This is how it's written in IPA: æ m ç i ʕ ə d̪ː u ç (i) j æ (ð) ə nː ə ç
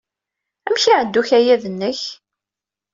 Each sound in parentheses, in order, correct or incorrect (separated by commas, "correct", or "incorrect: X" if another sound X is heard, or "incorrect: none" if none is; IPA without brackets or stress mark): incorrect: æ, correct